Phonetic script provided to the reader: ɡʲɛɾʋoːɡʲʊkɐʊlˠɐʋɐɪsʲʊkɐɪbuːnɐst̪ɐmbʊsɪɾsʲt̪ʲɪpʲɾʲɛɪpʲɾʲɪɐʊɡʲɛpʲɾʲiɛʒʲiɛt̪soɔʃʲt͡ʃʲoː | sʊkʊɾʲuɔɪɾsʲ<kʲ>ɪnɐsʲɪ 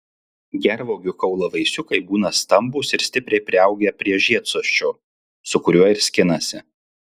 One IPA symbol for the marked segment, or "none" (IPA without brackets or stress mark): kʲ